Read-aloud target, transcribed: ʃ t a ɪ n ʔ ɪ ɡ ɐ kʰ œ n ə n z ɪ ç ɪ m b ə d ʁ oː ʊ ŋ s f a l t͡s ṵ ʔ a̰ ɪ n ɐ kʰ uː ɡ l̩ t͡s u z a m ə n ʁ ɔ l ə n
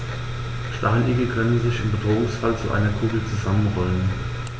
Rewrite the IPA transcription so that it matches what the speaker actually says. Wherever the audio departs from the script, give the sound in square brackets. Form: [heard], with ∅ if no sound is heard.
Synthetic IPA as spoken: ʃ t a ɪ n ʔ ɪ ɡ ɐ kʰ œ n ə n z ɪ ç ɪ m b ə d ʁ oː ʊ ŋ s f a l t͡s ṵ ʔ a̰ ɪ n ɐ kʰ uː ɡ l̩ t͡s u z a m ə n ʁ ɔ l ə n